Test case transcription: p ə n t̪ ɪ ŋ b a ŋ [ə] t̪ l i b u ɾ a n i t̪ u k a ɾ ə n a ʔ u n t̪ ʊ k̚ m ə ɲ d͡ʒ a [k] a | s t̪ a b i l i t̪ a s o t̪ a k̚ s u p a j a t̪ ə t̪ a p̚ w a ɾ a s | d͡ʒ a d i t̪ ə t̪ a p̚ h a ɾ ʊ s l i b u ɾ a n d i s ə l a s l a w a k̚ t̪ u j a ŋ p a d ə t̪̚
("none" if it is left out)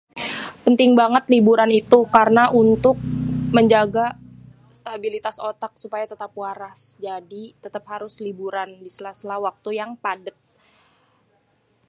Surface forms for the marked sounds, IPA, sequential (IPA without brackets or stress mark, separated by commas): ə, ɡ